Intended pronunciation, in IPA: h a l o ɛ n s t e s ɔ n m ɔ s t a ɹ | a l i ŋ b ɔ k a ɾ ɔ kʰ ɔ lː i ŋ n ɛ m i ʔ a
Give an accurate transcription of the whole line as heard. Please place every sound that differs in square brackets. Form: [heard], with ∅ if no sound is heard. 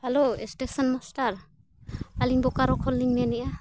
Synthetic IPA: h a l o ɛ [∅] s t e s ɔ n m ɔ s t a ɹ | a l i ŋ b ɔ k a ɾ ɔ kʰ ɔ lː i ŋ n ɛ [n] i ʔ a